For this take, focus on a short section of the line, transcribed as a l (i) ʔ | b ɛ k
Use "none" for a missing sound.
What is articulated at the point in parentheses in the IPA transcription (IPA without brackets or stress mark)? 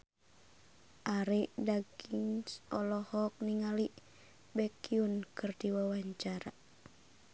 i